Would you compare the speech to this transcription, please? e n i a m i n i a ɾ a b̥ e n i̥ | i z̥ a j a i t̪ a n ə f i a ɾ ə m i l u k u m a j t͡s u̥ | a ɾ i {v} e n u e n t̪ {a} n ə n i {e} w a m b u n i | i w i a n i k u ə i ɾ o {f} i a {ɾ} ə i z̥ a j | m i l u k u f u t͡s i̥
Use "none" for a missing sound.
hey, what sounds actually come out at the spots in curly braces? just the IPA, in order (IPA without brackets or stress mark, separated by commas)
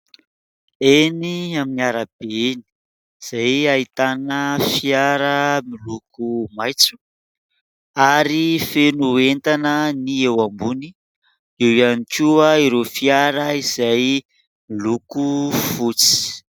f, a, e, f, ɾ